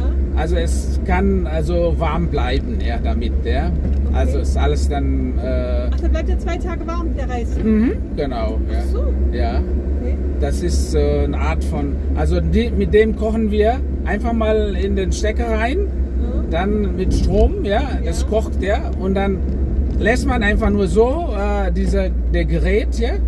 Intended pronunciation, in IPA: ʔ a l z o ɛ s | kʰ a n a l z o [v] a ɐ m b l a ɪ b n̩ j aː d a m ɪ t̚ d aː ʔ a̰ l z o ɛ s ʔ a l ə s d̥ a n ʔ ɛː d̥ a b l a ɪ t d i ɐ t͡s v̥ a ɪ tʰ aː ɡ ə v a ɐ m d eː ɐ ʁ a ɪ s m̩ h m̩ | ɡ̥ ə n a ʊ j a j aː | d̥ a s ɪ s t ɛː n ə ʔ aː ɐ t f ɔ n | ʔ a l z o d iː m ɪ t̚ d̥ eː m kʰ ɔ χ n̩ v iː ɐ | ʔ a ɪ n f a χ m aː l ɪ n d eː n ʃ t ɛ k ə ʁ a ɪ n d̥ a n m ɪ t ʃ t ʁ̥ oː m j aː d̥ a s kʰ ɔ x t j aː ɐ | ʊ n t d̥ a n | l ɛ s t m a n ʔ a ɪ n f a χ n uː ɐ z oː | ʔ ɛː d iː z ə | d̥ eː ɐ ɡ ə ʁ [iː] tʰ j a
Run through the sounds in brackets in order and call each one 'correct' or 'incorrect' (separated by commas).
correct, incorrect